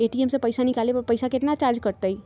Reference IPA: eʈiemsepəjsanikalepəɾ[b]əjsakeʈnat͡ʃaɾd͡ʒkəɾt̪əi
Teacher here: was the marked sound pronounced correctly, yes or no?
no